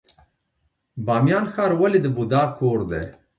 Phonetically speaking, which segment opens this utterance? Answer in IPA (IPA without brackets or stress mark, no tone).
b